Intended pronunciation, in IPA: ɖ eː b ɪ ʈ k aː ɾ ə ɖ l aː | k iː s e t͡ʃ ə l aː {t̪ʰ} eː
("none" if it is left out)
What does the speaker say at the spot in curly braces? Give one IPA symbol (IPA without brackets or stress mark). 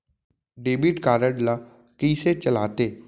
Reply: t̪